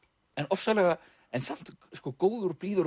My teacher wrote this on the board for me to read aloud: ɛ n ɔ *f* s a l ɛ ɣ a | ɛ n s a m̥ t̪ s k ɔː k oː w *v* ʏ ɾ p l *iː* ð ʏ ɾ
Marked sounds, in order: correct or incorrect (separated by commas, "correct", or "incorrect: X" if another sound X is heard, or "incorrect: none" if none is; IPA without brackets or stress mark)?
correct, incorrect: ð, correct